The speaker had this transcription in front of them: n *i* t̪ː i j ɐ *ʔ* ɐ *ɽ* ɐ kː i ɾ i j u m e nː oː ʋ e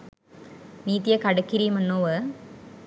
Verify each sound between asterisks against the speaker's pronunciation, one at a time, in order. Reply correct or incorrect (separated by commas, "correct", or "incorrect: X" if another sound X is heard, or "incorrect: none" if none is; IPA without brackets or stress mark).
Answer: incorrect: iː, incorrect: k, correct